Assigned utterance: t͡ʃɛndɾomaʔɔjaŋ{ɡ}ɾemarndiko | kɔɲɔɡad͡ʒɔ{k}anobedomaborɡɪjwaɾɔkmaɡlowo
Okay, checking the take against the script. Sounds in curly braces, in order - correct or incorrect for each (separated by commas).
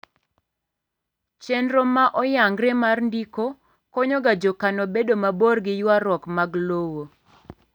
correct, correct